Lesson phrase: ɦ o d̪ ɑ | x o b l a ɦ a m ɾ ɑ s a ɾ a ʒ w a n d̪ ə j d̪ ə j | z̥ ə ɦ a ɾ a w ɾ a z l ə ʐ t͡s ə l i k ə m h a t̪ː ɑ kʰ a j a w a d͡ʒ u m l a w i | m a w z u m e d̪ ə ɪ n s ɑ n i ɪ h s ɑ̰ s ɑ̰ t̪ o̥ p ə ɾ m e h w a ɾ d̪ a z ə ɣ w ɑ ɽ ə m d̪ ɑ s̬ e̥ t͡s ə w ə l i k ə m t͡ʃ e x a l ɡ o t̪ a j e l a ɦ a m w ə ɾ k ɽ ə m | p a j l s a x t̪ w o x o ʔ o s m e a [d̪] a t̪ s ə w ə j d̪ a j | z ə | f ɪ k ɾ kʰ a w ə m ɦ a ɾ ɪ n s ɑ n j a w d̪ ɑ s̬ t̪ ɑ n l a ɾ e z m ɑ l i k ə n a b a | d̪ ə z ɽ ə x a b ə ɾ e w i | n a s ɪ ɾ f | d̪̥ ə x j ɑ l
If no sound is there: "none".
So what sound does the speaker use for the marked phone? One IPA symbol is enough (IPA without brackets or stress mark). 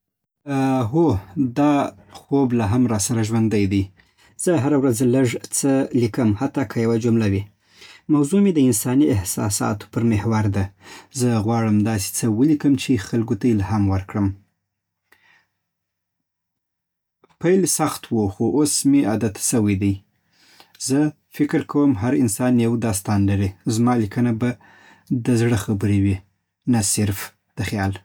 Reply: d̪